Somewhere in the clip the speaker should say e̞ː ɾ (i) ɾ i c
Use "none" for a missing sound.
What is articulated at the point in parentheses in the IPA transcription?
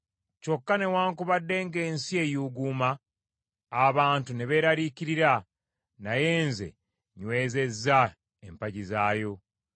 a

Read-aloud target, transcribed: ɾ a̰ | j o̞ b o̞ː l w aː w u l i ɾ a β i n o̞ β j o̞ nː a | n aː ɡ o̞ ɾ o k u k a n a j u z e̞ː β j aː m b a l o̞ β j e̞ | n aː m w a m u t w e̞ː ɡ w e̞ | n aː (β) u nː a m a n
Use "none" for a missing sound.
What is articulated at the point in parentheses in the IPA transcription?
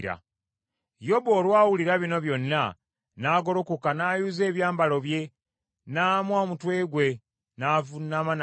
v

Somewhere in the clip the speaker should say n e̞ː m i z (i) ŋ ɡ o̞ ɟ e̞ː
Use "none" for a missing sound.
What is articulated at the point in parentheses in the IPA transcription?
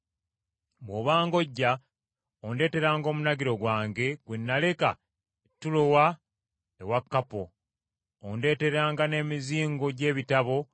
iː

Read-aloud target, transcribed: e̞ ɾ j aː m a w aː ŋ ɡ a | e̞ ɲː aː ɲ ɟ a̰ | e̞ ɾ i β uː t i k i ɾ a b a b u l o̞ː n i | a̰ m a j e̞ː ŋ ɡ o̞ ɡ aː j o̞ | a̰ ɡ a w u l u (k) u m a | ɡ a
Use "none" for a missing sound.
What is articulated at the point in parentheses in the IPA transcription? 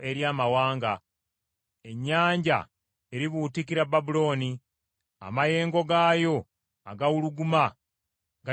ɡ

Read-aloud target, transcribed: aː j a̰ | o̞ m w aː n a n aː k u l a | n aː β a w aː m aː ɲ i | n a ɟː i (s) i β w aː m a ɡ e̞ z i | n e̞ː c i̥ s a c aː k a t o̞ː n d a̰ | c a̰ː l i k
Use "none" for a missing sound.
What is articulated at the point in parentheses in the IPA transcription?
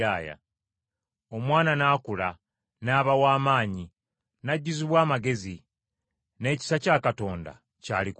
z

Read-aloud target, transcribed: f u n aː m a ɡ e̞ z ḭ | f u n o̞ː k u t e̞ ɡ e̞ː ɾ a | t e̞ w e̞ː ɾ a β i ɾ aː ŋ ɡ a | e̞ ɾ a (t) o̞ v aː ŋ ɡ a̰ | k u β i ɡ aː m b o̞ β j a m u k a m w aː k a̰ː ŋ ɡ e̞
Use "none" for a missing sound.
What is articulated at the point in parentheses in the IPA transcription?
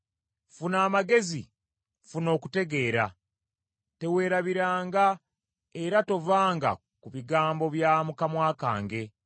t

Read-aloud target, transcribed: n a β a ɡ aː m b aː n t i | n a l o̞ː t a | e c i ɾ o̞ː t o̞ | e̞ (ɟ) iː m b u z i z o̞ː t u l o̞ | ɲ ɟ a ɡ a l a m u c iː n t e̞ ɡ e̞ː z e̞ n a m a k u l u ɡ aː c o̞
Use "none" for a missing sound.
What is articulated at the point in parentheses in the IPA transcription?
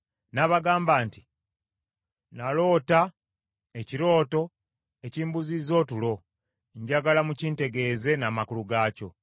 c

